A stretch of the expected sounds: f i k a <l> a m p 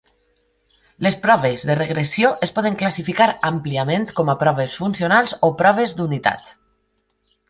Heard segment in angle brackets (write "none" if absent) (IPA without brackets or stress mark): ɾ